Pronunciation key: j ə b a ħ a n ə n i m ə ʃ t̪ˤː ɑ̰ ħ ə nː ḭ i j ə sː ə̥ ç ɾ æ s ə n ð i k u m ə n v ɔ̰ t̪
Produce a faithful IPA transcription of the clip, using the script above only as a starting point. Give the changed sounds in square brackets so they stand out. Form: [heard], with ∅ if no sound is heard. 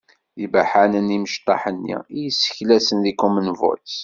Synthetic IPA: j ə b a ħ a n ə n i m ə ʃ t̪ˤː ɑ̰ ħ ə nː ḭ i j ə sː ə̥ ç [l] æ s ə n ð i k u m ə n v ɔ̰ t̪